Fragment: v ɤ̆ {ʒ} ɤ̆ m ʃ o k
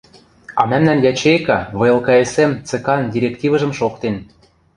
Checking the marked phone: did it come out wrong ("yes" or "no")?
no